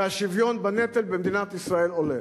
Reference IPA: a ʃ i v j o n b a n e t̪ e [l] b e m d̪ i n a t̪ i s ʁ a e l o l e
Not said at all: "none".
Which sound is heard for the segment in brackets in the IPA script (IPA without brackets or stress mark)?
l